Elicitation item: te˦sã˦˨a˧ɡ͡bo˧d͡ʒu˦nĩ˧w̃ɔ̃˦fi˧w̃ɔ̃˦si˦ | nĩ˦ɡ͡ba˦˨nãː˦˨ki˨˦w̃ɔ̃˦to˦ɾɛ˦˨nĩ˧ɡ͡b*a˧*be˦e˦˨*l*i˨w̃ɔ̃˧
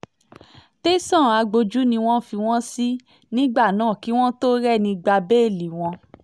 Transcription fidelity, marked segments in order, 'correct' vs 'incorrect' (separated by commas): correct, correct